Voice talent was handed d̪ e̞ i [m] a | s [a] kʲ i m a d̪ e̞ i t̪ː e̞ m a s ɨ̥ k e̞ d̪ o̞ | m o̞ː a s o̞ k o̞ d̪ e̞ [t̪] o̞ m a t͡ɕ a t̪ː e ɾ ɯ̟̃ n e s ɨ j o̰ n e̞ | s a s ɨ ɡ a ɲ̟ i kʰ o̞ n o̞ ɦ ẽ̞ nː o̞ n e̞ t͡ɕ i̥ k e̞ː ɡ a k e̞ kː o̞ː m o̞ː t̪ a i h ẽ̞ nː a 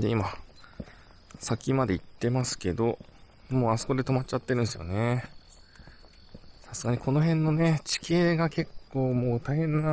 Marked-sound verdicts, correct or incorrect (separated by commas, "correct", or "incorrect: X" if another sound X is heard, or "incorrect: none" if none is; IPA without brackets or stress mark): correct, correct, correct